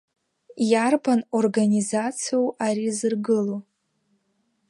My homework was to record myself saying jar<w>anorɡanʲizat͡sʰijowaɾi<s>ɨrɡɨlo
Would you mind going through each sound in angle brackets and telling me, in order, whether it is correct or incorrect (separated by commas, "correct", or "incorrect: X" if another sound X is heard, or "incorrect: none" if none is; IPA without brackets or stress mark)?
incorrect: b, incorrect: z